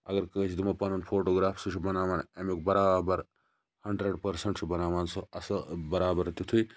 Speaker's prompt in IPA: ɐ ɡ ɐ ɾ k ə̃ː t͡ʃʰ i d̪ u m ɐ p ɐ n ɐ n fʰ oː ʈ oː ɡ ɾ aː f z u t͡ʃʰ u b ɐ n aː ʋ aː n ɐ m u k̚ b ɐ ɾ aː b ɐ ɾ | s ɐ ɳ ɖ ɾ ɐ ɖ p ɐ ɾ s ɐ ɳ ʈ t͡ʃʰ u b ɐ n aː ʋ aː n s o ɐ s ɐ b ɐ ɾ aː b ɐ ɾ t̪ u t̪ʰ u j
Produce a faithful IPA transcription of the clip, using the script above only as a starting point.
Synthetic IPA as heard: ɐ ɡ ɐ ɾ k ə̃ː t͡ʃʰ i d̪ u m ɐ p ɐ n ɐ n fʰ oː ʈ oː ɡ ɾ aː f s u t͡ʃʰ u b ɐ n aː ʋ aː n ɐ m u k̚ b ɐ ɾ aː b ɐ ɾ | h ɐ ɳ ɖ ɾ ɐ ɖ p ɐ ɾ s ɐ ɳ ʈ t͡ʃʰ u b ɐ n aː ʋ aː n s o ɐ s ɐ b ɐ ɾ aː b ɐ ɾ t̪ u t̪ʰ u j